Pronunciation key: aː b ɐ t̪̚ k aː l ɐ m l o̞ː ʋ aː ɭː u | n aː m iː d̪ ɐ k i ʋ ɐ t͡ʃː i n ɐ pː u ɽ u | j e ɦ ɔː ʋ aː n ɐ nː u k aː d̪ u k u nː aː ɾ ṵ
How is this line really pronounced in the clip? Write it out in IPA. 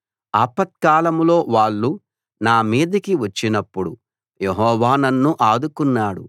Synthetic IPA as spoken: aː p ɐ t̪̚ k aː l ɐ m l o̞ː ʋ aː ɭː u | n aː m iː d̪ ɐ k i ʋ ɐ t͡ʃː i n ɐ pː u ɽ u | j e ɦ ɔː ʋ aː n ɐ nː u ʔ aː d̪ u k u nː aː ɽ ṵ

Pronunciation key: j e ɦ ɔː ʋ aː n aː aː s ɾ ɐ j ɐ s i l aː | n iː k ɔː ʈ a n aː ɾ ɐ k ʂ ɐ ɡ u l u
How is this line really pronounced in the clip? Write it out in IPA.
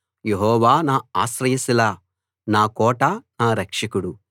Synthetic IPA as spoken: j e ɦ ɔː ʋ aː n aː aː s ɾ ɐ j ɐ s i l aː | n aː k ɔː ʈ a n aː ɾ ɐ k ʂ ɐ k u ɽ u

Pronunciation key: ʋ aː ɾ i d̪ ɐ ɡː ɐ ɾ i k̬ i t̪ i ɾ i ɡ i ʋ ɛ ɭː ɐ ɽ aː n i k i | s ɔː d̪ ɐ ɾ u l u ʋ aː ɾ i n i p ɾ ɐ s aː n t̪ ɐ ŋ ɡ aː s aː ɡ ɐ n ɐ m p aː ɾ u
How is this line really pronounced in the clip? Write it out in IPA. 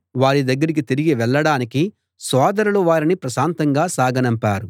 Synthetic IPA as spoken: ʋ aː ɾ i d̪ ɐ ɡː ɐ ɾ i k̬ i t̪ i ɾ i ɡ i ʋ ɛ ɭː ɐ ɽ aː n i k i | s ɔː d̪ ɐ ɾ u l u ʋ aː ɾ i n i p ɾ ɐ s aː n t̪ ɐ ŋ ɡ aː s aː ɡ ɐ n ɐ m p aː ɾ u

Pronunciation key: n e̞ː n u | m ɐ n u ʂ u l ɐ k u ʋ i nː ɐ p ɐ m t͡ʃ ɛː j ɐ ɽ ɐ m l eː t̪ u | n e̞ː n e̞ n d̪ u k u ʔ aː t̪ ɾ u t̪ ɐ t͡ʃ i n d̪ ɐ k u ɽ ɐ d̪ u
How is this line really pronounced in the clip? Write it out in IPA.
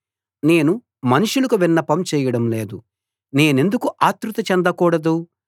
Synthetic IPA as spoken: n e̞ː n u | m ɐ n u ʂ u l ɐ k u ʋ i nː ɐ p ɐ m t͡ʃ ɛː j ɐ ɽ ɐ m l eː d̪ u | n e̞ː n e̞ n d̪ u k u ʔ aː t̪ ɾ u t̪ ɐ t͡ʃ ɛ n d̪ ɐ k uː ɽ ɐ d̪ u

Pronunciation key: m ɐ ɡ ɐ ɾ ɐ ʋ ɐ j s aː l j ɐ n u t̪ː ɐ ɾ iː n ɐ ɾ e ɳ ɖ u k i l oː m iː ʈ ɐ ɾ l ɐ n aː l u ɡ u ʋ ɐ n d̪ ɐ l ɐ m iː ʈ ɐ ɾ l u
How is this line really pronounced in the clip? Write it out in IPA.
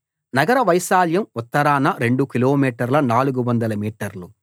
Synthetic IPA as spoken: n ɐ ɡ ɐ ɾ ɐ ʋ ɐ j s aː l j ɐ m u t̪ː ɐ ɾ aː n ɐ ɾ e ɳ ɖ u k i l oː m iː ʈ ɐ ɾ l ɐ n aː l u ɡ u ʋ ɐ n d̪ ɐ l ɐ m iː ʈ ɐ ɾ l u

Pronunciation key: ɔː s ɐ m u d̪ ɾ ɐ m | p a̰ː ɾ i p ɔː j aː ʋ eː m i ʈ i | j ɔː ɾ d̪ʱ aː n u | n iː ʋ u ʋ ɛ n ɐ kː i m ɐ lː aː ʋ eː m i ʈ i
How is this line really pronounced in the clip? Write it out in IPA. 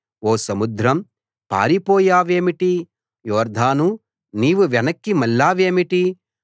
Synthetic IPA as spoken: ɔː s ɐ m u d̪ ɾ ɐ m | p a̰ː ɾ i p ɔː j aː ʋ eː m i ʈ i | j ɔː ɾ d̪ʱ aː n u | n iː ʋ u ʋ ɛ n ɐ kː i m ɐ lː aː ʋ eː m i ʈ i

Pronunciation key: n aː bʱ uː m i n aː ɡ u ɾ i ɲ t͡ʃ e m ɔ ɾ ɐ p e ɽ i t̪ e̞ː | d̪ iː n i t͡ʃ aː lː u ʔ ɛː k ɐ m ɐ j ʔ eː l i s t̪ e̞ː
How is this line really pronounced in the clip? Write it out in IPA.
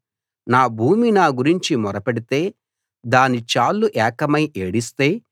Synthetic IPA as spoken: n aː bʱ uː m i n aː ɡ u ɾ i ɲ t͡ʃ i m ɔ ɾ ɐ p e ɽ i t̪ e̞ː | d̪ aː n i t͡ʃ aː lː u ʔ ɛː k ɐ m ɐ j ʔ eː ɽ i s t̪ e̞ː

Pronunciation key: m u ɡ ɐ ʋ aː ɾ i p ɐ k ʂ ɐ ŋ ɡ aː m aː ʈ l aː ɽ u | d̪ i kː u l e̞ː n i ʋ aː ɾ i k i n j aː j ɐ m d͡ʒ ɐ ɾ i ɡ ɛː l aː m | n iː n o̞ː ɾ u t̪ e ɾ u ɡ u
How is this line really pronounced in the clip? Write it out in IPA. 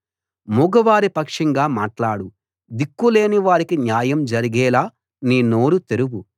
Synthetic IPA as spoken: m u ɡ ɐ ʋ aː ɾ i p ɐ k ʂ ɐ ŋ ɡ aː m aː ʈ l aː ɽ u | d̪ i kː u l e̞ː n i ʋ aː ɾ i k i n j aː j ɐ m d͡ʒ ɐ ɾ i ɡ ɛː l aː | n iː n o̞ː ɾ u t̪ e ɾ u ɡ u

